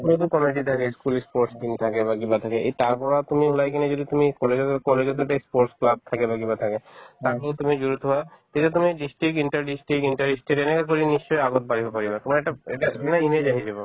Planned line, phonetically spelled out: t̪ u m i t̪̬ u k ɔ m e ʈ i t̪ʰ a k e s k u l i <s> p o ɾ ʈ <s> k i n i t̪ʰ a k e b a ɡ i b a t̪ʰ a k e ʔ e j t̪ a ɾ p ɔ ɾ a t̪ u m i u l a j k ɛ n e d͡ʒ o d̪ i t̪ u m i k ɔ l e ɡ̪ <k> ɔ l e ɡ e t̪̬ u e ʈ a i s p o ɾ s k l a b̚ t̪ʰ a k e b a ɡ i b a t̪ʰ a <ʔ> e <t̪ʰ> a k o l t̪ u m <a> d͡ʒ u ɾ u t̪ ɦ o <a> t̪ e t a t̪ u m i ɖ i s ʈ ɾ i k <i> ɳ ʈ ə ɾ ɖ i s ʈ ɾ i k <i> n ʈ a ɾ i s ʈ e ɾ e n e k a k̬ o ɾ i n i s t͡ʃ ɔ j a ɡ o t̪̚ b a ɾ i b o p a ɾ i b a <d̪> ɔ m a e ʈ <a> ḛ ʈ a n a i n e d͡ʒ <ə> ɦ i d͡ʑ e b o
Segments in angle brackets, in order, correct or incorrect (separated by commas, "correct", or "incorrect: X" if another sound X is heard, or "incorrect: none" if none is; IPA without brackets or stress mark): correct, correct, correct, incorrect: k, incorrect: t̪, incorrect: i, correct, correct, correct, incorrect: t̪, correct, incorrect: a